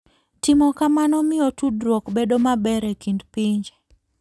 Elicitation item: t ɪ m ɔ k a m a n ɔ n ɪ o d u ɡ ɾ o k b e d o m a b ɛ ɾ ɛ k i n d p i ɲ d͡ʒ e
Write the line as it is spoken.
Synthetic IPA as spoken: t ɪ m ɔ k a m a n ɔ m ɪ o t u d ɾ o k b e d o m a b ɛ ɾ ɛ k i n d p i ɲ d͡ʒ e

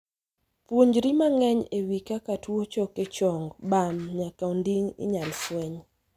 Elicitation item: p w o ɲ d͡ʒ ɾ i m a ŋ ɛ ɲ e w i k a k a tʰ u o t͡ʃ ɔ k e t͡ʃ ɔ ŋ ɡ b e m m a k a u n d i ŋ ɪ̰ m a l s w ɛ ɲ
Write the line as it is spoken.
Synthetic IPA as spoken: p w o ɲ d͡ʒ ɾ i m a ŋ ɛ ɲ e w i k a k a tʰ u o t͡ʃ ɔ k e t͡ʃ ɔ ŋ ɡ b a m ɲ a k a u n d i ŋ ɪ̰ ɲ a l s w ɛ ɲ

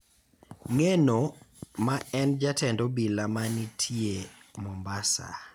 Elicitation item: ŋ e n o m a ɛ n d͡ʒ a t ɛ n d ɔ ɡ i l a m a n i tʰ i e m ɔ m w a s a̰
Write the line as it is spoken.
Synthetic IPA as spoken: ŋ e n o m a ɛ n d͡ʒ a t ɛ n d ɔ b i l a m a n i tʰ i e m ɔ m b a s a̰

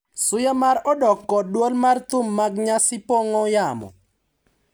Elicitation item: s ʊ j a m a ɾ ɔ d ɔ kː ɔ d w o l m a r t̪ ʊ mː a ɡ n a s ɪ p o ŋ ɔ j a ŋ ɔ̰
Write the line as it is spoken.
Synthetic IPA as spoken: s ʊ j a m a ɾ ɔ d ɔ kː ɔ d w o l m a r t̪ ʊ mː a ɡ ɲ a s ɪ p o ŋ ɔ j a m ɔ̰

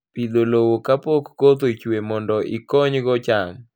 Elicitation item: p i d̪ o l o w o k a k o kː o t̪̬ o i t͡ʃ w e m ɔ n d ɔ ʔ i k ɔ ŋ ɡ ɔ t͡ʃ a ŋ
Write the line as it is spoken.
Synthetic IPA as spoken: p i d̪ o l o w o k a p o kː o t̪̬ o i t͡ʃ w e m ɔ n d ɔ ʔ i k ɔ ɲ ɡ ɔ t͡ʃ a ŋ

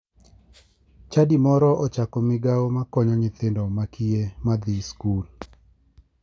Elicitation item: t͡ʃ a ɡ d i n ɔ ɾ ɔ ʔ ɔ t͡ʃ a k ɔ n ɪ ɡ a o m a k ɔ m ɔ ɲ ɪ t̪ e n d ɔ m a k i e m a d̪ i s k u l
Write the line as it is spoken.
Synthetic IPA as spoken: t͡ʃ a d i m ɔ ɾ ɔ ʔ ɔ t͡ʃ a k ɔ m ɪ ɡ a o m a k ɔ ɲ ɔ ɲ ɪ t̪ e n d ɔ m a k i e m a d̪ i s k u l

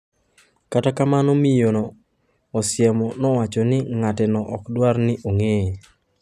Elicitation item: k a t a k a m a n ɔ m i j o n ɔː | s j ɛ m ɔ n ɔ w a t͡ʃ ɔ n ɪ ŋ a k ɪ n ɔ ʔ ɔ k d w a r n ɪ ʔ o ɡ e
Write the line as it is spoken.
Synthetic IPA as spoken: k a t a k a m a n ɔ m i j o n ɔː | s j ɛ m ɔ n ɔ w a t͡ʃ ɔ n ɪ ŋ a t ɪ n ɔ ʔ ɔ k d w a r n ɪ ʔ o ŋ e

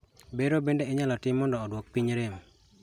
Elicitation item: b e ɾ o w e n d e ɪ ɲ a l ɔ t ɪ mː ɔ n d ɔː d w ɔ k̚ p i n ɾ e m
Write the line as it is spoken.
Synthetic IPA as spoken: b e ɾ o b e n d e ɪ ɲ a l ɔ t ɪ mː ɔ n d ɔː d w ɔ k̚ p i ɲ ɾ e m

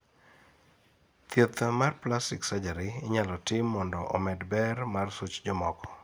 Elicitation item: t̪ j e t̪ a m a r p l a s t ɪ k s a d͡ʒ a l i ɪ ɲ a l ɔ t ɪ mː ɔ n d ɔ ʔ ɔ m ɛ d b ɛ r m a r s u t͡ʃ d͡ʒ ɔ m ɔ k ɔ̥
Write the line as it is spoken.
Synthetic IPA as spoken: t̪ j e t̪ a m a r p l a s t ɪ k s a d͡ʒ a ɾ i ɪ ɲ a l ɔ t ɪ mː ɔ n d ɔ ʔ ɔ m ɛ d b ɛ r m a r s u t͡ʃ d͡ʒ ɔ m ɔ k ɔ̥

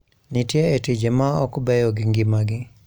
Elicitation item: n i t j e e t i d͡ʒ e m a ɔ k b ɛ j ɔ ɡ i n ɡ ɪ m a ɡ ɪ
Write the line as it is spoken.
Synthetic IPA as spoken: n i t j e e t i d͡ʒ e m a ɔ k b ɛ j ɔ ɡ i ŋ ɡ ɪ m a ɡ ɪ

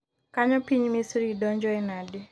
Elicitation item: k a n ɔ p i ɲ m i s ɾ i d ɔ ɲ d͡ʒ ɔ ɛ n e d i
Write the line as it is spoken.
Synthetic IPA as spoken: k a ɲ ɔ p i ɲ m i s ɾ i d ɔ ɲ d͡ʒ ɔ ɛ n a d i

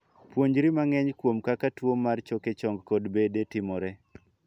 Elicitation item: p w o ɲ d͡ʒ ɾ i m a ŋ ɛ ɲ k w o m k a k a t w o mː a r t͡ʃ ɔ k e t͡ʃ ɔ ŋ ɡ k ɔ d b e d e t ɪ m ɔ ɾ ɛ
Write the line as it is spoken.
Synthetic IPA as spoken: p w o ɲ d͡ʒ ɾ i m a ŋ ɛ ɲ k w o m k a k a t w o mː a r t͡ʃ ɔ k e t͡ʃ ɔ ŋ ɡ k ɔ d b e d e t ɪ m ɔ ɾ ɛ

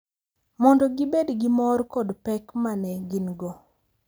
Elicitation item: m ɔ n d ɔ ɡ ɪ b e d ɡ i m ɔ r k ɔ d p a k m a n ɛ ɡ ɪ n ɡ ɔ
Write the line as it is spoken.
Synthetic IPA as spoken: m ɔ n d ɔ ɡ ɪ b e d ɡ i m ɔ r k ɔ d p ɛ k m a n ɛ ɡ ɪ n ɡ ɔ

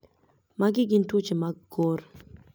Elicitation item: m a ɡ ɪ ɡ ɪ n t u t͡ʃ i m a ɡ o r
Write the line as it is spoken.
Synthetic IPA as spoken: m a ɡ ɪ ɡ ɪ n t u t͡ʃ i m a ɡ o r

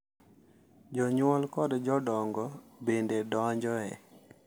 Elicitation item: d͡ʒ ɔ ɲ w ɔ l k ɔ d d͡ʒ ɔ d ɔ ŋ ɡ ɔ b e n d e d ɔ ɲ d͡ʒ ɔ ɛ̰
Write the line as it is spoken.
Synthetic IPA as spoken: d͡ʒ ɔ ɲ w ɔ l k ɔ d d͡ʒ ɔ d ɔ ŋ ɡ ɔ b e n d e d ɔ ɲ d͡ʒ ɔ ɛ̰

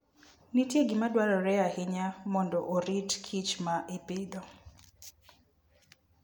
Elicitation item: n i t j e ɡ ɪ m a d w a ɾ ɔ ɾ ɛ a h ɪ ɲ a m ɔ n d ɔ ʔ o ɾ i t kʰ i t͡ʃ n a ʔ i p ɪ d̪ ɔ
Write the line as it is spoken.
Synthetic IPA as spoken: n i t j e ɡ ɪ m a d w a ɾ ɔ ɾ ɛ a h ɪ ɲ a m ɔ n d ɔ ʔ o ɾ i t kʰ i t͡ʃ m a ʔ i p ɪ d̪ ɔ

